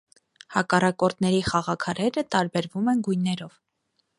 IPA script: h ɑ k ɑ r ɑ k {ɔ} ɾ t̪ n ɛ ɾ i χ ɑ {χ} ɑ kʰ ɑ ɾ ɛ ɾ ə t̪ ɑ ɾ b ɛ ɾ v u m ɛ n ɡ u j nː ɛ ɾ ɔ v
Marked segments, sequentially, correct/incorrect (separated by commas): correct, incorrect